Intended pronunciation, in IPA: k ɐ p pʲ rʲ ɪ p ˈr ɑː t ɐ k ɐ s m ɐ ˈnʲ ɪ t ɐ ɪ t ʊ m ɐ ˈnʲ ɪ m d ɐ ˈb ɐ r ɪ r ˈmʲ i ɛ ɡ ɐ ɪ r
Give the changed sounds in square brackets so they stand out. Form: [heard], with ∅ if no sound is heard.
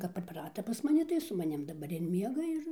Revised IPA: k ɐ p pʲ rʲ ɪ p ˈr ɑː t ɐ [p] ɐ s m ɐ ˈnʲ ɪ t ɐ ɪ [s] ʊ m ɐ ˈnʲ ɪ m d ɐ ˈb ɐ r ɪ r ˈmʲ i ɛ ɡ ɐ ɪ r